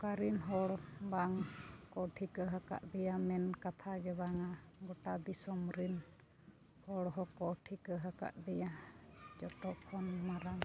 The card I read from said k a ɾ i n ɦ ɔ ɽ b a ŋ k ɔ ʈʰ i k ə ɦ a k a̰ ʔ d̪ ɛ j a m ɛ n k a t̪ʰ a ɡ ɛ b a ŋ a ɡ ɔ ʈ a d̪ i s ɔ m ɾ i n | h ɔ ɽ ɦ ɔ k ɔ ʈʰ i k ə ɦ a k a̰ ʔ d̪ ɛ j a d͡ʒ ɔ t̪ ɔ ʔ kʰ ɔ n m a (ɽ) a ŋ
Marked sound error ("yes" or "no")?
yes